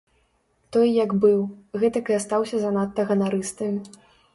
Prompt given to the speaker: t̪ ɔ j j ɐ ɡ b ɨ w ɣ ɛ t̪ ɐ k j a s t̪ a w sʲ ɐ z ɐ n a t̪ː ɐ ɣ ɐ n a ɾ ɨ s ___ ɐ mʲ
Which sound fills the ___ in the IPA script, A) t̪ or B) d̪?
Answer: A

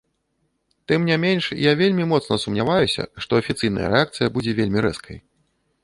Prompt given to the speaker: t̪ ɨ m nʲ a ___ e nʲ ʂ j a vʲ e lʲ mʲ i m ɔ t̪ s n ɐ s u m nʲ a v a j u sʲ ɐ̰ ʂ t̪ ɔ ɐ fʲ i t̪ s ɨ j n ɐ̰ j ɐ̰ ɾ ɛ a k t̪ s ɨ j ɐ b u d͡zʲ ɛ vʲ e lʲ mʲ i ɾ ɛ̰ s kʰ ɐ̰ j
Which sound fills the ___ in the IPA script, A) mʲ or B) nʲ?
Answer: A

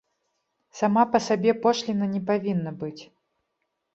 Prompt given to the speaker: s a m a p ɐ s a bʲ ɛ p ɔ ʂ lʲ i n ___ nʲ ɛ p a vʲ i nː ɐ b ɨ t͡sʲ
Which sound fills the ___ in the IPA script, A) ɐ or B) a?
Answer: A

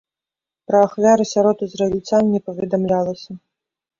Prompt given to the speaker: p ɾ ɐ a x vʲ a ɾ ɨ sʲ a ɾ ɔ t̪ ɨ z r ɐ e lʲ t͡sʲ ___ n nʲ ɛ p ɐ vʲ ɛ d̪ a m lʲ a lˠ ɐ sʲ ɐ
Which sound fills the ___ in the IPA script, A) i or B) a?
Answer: B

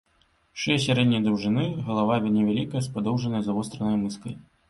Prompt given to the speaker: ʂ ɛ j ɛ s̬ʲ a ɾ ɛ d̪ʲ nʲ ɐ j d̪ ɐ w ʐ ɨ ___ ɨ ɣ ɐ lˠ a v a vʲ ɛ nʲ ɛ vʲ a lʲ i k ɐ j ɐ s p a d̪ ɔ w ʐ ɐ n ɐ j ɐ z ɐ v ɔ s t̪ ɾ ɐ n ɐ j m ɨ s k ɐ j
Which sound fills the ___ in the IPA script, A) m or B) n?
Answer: B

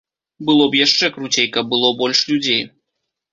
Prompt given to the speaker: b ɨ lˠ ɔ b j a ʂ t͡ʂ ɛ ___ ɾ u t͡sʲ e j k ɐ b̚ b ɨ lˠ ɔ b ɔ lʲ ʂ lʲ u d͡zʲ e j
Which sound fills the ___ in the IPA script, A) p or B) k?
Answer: B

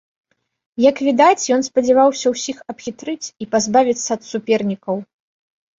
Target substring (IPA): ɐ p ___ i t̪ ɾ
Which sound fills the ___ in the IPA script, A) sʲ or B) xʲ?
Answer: B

